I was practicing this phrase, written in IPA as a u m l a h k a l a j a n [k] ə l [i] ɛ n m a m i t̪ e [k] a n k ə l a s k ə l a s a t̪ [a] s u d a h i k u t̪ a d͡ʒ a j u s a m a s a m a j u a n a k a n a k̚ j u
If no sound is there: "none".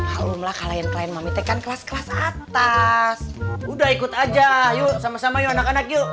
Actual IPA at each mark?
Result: k, a, k, a

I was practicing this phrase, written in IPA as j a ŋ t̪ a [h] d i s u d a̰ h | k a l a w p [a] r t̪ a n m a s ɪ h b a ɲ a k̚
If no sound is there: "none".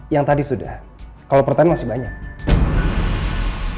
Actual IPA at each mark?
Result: none, ə

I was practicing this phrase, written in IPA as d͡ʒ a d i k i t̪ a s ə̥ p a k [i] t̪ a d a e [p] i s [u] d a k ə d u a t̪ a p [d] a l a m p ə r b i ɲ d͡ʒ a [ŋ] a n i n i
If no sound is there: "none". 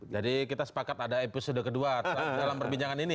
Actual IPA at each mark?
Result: a, p, o, d, ŋ

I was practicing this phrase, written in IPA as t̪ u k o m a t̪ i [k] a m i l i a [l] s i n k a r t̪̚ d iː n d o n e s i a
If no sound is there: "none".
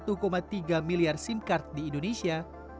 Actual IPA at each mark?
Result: ɡ, r

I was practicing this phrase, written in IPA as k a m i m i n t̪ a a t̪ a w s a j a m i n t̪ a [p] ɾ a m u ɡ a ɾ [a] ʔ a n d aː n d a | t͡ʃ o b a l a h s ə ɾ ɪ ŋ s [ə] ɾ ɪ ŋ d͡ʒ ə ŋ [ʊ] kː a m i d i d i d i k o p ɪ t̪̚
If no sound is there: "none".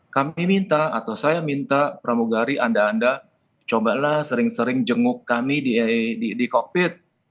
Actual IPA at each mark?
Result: p, i, ə, ʊ

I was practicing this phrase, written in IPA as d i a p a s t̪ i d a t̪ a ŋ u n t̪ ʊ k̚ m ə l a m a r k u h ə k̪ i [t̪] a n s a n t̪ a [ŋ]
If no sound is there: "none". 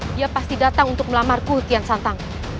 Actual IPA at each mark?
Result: none, ŋ

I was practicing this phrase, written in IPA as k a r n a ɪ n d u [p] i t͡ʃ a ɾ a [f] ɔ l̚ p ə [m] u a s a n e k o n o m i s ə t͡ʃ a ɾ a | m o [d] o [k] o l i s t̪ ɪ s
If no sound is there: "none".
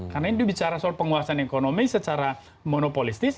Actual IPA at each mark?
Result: b, s, ŋ, n, p

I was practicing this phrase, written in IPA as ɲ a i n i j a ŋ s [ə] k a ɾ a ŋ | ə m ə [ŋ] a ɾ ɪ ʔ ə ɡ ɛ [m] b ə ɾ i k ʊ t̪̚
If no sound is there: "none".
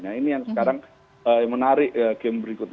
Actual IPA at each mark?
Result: ə, n, m

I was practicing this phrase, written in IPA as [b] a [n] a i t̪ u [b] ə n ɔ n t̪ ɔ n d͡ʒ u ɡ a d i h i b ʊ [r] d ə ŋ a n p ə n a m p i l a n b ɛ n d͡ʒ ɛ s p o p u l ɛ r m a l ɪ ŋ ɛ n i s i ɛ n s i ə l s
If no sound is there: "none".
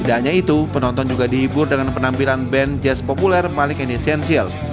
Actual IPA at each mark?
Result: d, ɲ, p, r

